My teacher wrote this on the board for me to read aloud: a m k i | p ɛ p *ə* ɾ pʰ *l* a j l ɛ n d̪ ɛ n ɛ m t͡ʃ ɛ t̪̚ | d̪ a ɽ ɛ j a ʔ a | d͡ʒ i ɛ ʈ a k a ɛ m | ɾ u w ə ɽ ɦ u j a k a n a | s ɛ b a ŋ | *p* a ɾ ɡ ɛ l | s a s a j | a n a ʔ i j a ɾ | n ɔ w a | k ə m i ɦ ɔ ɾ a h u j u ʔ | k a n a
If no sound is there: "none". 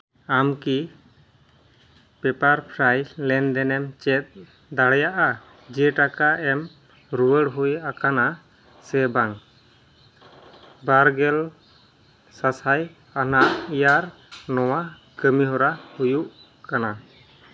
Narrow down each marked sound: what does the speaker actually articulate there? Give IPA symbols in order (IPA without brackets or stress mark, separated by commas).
a, ɾ, b